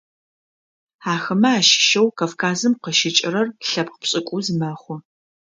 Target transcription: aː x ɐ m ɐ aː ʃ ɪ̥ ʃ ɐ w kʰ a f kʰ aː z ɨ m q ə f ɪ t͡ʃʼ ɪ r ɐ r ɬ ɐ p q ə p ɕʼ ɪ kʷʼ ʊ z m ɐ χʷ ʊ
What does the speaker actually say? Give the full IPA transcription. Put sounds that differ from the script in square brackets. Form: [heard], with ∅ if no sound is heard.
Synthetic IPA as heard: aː x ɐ m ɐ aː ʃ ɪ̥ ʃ ɐ w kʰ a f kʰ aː z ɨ m q ə [ʃ] ɪ t͡ʃʼ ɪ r ɐ r ɬ ɐ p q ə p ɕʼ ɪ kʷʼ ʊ z m ɐ χʷ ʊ